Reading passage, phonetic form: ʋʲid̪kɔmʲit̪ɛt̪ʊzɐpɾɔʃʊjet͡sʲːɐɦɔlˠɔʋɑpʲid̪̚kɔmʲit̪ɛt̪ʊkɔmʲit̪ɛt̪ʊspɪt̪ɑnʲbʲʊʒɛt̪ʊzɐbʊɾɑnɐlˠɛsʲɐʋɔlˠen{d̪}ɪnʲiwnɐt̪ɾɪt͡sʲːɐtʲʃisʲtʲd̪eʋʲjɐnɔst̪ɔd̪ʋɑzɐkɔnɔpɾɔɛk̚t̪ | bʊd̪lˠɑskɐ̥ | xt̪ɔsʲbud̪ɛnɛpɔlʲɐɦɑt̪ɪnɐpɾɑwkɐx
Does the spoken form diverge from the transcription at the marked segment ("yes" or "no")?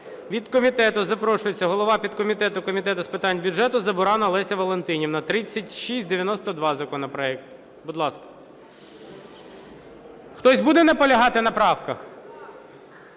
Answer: yes